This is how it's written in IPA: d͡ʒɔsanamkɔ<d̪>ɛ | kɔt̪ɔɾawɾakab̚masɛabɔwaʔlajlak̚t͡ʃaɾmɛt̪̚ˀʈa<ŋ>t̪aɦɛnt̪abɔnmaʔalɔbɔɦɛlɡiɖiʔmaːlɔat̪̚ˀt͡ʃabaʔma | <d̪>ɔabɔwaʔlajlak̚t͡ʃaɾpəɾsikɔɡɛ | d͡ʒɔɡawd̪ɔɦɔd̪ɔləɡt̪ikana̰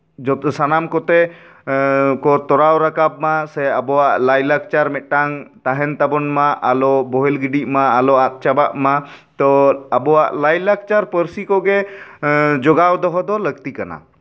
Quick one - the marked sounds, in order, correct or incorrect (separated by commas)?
incorrect, correct, incorrect